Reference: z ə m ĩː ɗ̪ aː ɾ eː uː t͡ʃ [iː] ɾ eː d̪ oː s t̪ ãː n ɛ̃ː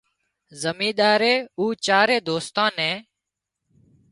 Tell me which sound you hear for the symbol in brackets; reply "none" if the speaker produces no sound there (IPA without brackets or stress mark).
aː